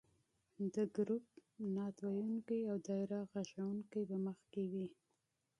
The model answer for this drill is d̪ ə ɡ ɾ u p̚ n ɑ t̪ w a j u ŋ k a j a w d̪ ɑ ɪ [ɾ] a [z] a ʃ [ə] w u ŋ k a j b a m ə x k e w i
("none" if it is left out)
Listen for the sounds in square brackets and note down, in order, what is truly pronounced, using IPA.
ɾ, ɣ, a

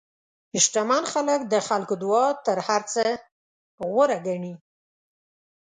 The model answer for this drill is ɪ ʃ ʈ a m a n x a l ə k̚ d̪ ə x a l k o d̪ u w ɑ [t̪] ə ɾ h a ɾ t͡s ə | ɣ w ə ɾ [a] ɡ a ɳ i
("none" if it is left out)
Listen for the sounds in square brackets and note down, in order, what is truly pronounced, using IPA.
t̪, a

